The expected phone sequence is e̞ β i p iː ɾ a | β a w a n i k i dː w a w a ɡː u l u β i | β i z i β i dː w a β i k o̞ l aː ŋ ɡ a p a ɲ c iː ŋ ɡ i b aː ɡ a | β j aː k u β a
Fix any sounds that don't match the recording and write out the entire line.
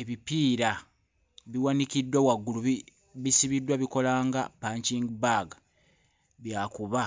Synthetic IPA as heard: e̞ β i p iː ɾ a | β i w a n i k i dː w a w a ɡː u l u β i | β i s i β i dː w a β i k o̞ l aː ŋ ɡ a p a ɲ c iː ŋ ɡ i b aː ɡ a | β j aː k u β a